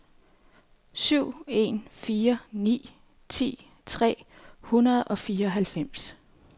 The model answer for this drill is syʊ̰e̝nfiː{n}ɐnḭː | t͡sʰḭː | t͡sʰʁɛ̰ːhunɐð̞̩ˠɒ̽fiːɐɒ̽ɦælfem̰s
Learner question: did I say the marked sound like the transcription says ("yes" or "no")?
no